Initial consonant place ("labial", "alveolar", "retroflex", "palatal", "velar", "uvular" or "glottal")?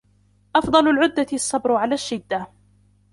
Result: glottal